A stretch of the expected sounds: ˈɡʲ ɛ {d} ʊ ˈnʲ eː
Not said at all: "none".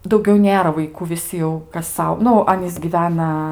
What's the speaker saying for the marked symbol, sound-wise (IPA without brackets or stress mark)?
none